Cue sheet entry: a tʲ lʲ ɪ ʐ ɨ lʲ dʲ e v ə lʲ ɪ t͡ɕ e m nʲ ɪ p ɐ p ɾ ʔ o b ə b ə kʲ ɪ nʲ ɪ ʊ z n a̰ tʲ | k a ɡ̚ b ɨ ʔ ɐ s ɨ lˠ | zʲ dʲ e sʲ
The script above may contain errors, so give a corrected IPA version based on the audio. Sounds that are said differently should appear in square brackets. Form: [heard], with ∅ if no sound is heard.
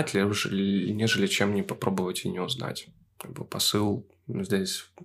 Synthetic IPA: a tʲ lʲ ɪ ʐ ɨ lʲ [nʲ] e [ʐ] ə lʲ ɪ t͡ɕ e m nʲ ɪ p ɐ p ɾ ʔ o b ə [v] ə [tʲ] ɪ nʲ ɪ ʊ z n a̰ tʲ | k a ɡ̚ b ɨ [p] ɐ s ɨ lˠ | zʲ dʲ e sʲ